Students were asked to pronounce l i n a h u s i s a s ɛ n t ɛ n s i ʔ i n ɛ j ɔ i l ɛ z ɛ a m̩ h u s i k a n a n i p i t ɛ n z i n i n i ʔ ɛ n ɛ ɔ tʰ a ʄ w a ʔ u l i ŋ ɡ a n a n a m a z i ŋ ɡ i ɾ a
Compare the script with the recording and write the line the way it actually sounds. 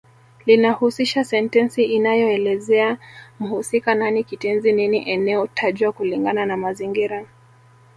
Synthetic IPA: l i n a h u s i ʃ a s ɛ n t ɛ n s i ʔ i n a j ɔ ɛ l ɛ z ɛ a m̩ h u s i k a n a n i k i t ɛ n z i n i n i ʔ ɛ n ɛ ɔ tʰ a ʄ w a k u l i ŋ ɡ a n a n a m a z i ŋ ɡ i ɾ a